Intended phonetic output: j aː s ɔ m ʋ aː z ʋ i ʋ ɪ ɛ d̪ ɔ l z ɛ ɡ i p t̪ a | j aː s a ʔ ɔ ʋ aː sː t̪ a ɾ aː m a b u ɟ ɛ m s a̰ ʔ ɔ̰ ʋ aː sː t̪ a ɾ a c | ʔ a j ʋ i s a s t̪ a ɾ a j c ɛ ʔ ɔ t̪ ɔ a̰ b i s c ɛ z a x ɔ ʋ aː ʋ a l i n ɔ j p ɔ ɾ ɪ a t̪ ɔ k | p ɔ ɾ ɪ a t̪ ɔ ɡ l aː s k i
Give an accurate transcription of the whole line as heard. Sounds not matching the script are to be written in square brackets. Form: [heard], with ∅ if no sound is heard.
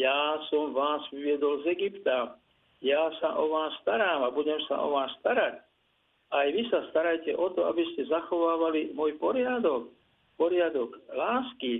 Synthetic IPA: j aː s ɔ m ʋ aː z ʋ i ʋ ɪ ɛ d̪ ɔ l z ɛ ɡ i p t̪ a | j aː s a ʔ ɔ ʋ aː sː t̪ a ɾ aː m a b u ɟ ɛ m s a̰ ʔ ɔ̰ ʋ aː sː t̪ a ɾ a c | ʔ a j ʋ i s a s t̪ a ɾ a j c ɛ ʔ ɔ t̪ ɔ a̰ b i s c ɛ z a x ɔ ʋ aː ʋ a l i [m] ɔ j p ɔ ɾ ɪ a [d̪] ɔ k | p ɔ ɾ ɪ a [d̪] ɔ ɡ l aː s k i